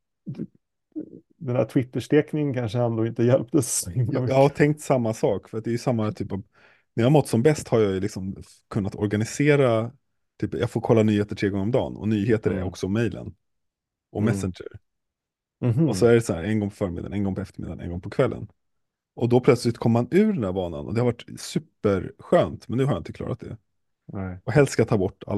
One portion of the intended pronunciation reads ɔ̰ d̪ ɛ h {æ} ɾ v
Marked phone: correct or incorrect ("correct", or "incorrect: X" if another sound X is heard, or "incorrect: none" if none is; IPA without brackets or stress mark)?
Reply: incorrect: a